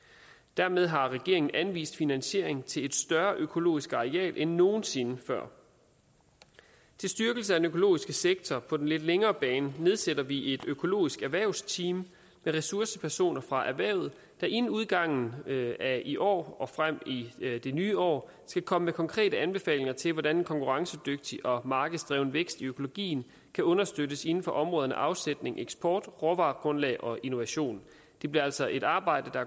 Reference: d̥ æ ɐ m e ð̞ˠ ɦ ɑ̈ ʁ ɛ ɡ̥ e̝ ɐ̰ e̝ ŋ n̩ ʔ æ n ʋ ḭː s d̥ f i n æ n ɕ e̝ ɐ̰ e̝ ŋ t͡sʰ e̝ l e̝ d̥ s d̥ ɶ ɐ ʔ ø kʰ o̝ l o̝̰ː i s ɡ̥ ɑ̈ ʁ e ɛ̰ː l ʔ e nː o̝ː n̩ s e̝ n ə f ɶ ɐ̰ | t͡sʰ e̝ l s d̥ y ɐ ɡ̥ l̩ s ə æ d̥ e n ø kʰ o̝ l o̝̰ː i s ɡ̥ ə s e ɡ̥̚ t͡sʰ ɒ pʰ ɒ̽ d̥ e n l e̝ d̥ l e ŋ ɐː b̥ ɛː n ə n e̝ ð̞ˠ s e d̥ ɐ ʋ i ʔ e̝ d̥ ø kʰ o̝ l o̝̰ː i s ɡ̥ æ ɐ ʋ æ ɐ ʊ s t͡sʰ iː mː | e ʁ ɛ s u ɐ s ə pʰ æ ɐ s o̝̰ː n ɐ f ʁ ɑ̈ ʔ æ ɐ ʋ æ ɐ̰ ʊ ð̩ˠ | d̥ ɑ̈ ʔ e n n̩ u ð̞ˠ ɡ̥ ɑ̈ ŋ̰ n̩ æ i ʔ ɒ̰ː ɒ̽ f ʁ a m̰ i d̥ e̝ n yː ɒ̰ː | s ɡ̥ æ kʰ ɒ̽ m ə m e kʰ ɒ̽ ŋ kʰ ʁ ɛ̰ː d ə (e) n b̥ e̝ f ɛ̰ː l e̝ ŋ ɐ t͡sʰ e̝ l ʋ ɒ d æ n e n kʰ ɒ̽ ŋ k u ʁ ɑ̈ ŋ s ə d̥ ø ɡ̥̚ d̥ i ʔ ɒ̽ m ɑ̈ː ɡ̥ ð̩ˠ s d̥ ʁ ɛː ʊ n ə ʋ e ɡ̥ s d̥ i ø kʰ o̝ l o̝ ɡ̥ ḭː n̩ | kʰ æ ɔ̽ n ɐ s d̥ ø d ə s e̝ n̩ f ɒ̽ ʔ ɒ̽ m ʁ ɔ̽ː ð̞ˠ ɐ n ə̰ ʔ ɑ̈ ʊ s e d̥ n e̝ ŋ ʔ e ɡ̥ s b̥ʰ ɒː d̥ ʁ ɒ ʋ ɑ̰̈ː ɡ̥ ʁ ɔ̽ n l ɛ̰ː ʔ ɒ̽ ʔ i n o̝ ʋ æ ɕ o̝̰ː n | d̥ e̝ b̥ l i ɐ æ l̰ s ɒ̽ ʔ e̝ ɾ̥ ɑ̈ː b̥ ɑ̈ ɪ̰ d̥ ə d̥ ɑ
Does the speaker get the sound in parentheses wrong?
yes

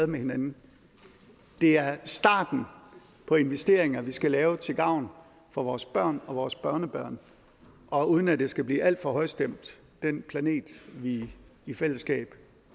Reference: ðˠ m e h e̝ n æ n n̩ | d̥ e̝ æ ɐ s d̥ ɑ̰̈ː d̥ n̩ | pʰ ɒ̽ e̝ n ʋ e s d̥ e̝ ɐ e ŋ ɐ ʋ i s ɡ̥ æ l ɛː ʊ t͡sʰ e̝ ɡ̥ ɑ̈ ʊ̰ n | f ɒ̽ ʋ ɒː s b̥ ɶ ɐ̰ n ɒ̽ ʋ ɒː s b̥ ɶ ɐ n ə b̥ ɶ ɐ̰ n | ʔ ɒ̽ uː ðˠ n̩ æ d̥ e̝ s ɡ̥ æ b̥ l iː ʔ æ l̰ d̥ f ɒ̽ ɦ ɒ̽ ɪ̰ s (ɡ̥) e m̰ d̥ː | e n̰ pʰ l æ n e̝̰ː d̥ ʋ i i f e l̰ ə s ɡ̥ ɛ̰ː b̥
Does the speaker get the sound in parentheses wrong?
yes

